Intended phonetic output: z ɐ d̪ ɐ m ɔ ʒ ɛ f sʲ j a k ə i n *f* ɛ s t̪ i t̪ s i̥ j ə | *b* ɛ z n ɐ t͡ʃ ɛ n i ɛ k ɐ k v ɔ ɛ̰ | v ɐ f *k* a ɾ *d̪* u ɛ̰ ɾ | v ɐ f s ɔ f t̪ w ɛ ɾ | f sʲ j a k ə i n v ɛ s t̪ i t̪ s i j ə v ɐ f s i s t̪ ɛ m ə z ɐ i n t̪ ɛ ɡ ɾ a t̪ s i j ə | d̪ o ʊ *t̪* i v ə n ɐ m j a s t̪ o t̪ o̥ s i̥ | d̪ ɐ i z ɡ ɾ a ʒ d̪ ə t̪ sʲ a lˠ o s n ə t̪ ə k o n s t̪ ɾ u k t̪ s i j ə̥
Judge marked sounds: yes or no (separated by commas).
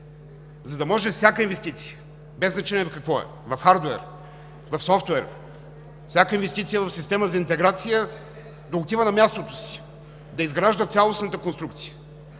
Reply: no, yes, no, yes, yes